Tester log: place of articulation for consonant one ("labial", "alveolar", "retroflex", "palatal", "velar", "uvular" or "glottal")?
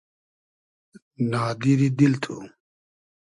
alveolar